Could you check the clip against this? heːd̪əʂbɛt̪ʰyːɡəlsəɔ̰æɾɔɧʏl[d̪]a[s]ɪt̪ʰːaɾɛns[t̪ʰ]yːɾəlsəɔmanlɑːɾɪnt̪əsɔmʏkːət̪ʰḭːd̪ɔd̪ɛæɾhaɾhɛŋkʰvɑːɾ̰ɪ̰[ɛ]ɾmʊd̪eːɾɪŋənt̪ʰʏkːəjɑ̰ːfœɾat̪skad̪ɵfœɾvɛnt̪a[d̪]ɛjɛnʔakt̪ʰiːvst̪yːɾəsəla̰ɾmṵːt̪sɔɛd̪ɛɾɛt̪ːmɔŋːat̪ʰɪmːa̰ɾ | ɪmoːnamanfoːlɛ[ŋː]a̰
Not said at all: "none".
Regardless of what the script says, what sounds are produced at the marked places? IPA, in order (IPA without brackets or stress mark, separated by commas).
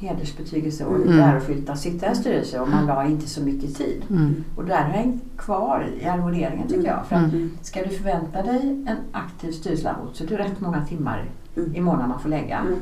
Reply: t̪, s, t̪, a, d̪, ɡː